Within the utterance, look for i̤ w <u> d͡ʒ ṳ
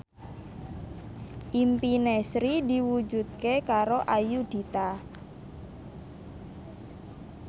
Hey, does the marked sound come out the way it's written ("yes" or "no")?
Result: yes